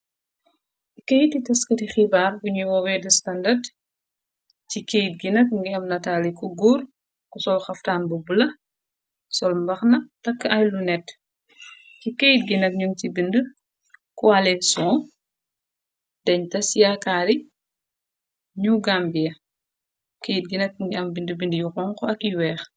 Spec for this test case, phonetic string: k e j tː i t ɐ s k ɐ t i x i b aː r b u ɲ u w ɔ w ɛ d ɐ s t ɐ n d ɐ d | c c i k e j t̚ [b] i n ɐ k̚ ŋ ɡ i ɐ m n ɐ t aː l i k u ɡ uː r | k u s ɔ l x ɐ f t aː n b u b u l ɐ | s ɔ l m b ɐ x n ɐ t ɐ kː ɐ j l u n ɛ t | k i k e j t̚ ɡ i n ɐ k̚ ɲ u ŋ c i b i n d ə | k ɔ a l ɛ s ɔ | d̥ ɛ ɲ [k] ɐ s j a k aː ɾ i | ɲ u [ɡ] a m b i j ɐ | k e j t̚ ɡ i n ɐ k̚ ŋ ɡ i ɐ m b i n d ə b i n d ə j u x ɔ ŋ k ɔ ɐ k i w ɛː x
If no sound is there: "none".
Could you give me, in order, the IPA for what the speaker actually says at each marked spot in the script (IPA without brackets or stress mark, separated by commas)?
ɡ, t, ɡ